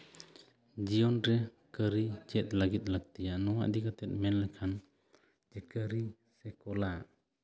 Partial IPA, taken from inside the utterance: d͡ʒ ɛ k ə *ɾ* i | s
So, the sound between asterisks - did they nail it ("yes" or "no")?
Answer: yes